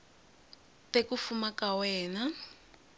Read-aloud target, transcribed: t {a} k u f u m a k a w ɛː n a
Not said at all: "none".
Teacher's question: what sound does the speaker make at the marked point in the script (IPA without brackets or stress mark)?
e